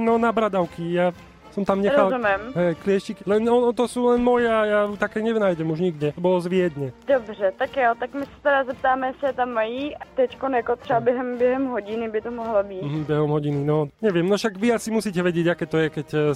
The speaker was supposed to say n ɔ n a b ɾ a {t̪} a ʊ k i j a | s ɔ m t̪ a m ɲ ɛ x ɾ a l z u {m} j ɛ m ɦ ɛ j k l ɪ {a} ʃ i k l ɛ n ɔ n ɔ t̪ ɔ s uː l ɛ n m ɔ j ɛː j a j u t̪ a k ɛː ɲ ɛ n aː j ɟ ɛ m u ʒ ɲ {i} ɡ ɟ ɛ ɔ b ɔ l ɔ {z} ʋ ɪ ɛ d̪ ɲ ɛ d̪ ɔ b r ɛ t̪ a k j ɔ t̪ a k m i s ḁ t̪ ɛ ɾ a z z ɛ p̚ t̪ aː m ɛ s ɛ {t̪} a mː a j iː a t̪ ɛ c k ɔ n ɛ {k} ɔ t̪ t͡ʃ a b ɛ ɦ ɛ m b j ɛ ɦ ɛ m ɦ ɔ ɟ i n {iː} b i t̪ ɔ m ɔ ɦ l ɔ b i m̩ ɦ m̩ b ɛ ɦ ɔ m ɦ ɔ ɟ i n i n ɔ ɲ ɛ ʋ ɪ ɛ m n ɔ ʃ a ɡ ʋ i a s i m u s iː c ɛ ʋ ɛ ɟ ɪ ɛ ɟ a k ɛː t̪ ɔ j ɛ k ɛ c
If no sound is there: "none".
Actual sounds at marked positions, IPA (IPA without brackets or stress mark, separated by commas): d̪, m, ɛ, i, z, t̪, k, i